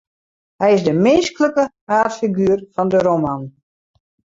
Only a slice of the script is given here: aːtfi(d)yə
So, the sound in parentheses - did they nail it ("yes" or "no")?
no